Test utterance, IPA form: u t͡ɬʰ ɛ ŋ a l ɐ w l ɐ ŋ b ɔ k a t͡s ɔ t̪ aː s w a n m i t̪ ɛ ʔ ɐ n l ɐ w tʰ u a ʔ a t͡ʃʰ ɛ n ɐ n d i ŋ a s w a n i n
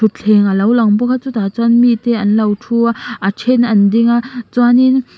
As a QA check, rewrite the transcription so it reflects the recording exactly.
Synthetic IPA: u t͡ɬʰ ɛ ŋ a l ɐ w l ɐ ŋ b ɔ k a t͡s u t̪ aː t͡s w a n m i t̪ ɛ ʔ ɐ n l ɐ w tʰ u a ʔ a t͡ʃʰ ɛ n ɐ n d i ŋ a t͡s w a n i n